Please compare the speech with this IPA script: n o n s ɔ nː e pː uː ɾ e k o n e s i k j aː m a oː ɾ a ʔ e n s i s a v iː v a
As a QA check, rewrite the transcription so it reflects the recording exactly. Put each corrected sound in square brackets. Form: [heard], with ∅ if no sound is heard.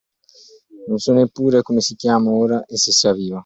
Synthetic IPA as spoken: n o n s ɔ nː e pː uː ɾ e k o [m] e s i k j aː m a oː ɾ a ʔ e [∅] s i s a v iː v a